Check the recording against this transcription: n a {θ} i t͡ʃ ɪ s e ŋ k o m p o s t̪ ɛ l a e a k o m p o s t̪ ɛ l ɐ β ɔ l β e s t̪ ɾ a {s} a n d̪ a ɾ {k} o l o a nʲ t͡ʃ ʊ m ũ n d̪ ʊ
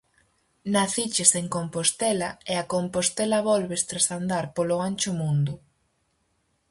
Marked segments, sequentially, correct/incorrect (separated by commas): correct, correct, incorrect